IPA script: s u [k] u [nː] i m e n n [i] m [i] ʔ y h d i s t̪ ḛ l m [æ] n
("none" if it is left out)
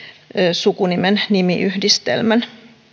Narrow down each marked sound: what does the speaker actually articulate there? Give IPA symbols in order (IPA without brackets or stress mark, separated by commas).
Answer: k, n, i, i, æ